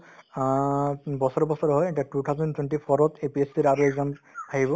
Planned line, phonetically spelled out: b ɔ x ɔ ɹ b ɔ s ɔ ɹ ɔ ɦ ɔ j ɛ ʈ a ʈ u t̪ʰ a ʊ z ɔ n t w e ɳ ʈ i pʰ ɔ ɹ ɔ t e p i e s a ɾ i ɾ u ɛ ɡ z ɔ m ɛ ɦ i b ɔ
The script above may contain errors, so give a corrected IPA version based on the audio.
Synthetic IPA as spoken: b ɔ s ɔ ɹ b ɔ s ɔ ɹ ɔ ɦ ɔ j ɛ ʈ a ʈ u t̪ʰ a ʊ z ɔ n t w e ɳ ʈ i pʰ ɔ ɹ ɔ t e p i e s i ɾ a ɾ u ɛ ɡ z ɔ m a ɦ i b ɔ